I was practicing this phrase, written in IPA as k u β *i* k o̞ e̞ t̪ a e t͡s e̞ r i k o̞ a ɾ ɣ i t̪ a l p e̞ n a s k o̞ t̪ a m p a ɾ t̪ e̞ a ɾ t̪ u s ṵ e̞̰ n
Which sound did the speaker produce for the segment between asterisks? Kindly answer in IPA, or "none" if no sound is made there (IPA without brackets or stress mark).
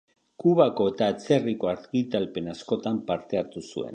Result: a